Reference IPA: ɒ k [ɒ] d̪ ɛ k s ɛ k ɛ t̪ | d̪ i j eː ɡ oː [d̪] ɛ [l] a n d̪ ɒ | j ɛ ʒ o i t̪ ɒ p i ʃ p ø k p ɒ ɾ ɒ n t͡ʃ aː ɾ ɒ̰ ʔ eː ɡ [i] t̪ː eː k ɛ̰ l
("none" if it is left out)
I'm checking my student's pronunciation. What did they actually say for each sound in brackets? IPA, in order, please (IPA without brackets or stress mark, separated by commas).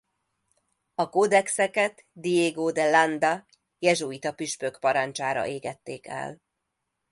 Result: o, d̪, l, ɛ